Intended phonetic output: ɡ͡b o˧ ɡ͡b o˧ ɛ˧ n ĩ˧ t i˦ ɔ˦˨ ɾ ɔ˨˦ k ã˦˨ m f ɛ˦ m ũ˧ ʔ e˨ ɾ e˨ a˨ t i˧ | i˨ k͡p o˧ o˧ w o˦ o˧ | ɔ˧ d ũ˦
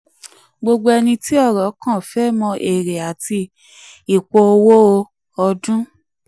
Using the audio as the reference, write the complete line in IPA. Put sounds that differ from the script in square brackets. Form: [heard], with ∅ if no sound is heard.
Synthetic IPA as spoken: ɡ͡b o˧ ɡ͡b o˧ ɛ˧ n ĩ˧ t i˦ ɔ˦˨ ɾ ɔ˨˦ k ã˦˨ [∅] f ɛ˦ m [ɔ̃˧] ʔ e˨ ɾ e˨ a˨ t i˧ | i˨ k͡p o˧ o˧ w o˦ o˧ | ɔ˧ d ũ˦